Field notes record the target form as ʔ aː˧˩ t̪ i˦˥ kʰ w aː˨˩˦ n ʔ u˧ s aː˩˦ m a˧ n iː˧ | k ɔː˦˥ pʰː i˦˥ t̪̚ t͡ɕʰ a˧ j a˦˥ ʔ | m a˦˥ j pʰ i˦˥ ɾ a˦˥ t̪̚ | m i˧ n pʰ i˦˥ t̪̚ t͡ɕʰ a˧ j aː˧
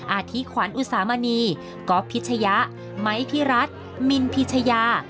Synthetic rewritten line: ʔ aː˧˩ t̪ʰ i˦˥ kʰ w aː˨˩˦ n ʔ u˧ s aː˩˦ m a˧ n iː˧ | k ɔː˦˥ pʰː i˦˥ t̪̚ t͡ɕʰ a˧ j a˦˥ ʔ | m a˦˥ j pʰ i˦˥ ɾ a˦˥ t̪̚ | m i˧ n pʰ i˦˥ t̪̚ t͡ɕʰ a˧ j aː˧

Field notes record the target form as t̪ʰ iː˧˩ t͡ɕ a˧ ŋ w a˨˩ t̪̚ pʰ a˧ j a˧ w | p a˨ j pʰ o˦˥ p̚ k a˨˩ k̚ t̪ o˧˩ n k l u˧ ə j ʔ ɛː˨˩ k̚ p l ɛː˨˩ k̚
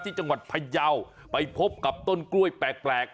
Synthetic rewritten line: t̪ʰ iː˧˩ t͡ɕ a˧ ŋ w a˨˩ t̪̚ pʰ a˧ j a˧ w | p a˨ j pʰ o˦˥ p̚ k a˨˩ p̚ t̪ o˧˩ n k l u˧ ə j p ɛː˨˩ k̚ p l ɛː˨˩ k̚

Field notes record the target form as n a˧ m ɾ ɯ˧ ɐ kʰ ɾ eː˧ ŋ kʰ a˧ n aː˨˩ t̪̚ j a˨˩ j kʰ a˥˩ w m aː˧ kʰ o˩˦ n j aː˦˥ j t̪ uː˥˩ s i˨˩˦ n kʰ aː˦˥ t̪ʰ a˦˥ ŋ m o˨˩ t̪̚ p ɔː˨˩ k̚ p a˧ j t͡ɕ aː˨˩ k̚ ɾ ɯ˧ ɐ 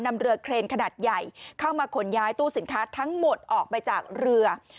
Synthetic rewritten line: n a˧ m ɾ ɯ˧ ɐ kʰ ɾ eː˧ n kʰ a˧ n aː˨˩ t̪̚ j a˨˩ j kʰ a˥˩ w m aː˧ kʰ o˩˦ n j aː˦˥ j t̪ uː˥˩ s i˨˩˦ n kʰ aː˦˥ t̪ʰ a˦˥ ŋ m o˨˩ t̪̚ ʔ ɔː˨˩ k̚ p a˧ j t͡ɕ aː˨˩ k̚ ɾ ɯ˧ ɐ

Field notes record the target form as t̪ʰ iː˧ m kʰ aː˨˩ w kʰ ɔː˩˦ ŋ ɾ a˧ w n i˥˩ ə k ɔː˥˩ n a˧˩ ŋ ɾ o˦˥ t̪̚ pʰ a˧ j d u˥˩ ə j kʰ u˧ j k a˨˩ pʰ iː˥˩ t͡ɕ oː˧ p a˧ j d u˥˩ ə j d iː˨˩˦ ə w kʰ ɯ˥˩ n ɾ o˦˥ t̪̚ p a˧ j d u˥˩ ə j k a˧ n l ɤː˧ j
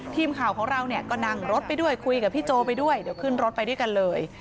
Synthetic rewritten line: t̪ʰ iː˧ m kʰ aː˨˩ w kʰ ɔː˩˦ ŋ ɾ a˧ w n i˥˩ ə k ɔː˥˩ n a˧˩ ŋ ɾ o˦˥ t̪̚ p a˧ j d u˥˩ ə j kʰ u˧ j k a˨˩ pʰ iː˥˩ t͡ɕ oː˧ p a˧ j d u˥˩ ə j d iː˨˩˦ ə w kʰ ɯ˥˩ n ɾ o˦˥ t̪̚ p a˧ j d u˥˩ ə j k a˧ n l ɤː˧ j

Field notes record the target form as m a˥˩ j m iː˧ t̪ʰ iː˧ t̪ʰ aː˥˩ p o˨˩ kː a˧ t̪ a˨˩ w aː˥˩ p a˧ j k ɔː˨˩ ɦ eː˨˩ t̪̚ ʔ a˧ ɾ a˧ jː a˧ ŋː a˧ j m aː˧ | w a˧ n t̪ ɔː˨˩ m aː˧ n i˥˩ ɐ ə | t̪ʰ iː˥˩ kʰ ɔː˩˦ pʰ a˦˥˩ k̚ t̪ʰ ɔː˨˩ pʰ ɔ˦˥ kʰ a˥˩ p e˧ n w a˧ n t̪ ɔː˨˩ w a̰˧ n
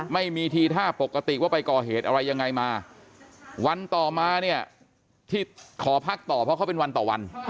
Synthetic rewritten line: m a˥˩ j m iː˧ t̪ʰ iː˧ t̪ʰ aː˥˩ p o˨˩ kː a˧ t̪ i˨˩ w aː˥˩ p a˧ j k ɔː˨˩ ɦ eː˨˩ t̪̚ ʔ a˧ ɾ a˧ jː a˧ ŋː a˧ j m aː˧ | w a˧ n t̪ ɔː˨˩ m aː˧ n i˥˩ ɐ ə | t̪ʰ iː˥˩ kʰ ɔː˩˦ pʰ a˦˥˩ k̚ t̪ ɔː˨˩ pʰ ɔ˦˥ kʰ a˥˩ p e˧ n w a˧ n t̪ ɔː˨˩ w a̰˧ n

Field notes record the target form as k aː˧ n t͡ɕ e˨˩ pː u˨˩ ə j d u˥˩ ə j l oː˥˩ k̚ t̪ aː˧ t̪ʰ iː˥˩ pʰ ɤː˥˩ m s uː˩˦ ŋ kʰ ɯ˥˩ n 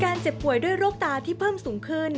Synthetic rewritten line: k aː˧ n t͡ɕ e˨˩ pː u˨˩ ə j d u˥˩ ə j ɾ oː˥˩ k̚ t̪ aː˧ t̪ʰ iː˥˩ pʰ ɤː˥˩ m s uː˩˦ ŋ kʰ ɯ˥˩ n

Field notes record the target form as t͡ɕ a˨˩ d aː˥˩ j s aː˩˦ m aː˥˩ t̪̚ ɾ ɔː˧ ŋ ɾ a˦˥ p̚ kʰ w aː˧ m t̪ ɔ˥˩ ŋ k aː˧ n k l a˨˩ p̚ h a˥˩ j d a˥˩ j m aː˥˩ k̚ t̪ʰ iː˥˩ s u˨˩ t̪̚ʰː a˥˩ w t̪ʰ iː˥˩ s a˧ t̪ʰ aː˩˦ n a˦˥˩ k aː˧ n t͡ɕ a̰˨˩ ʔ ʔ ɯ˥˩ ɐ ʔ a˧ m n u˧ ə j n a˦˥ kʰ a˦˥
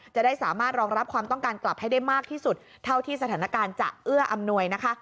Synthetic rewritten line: t͡ɕ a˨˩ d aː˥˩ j s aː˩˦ m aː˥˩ t̪̚ ɾ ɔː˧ ŋ ɾ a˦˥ p̚ kʰ w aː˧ m t̪ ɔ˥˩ ŋ k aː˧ n k l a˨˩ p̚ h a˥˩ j d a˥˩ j m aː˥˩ k̚ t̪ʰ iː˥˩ s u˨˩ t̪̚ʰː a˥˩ w t̪ʰ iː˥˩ s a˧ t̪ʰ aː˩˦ n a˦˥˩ k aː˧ n t͡ɕ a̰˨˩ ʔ ʔ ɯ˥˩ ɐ ʔ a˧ m n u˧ ə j n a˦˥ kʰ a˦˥

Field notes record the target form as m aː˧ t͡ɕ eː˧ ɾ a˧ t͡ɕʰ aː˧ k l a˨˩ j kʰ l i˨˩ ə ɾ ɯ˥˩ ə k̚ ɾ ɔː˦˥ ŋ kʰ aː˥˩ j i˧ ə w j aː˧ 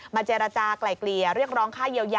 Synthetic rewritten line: m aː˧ t͡ɕ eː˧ ɾ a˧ t͡ɕ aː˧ k l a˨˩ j k l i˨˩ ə ɾ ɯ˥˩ ə k̚ ɾ ɔː˦˥ ŋ kʰ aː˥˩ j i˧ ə w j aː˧

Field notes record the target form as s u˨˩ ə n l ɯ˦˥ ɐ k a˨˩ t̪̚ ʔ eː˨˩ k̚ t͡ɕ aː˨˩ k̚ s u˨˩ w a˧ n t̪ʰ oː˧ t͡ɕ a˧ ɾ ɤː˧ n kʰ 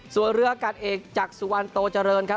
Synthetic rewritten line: s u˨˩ ə n ɾ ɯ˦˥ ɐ k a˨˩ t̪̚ ʔ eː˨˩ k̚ t͡ɕ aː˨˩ k̚ s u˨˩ w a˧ n t̪ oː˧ t͡ɕ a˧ ɾ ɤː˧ n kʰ

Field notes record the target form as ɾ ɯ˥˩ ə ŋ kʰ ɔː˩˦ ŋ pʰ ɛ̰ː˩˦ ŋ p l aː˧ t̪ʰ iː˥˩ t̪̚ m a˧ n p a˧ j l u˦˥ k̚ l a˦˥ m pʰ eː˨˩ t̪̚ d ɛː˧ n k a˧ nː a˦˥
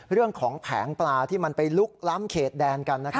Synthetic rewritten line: ɾ ɯ˥˩ ə ŋ kʰ ɔː˩˦ ŋ pʰ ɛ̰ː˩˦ ŋ p l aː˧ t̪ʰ iː˥˩ m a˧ n p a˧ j l u˦˥ k̚ l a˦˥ m kʰ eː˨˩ t̪̚ d ɛː˧ n k a˧ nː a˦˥

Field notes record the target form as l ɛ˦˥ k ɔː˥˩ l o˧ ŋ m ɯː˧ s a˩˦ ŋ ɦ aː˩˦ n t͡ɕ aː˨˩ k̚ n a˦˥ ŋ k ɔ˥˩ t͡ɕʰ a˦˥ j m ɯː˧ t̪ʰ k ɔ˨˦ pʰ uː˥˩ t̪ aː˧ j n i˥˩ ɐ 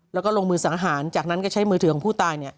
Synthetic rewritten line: l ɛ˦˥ k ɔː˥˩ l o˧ ŋ m ɯː˧ s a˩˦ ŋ ɦ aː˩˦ n t͡ɕ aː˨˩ k̚ n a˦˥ n k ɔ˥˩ t͡ɕʰ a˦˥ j m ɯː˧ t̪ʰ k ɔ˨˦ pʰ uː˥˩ t̪ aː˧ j n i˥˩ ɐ

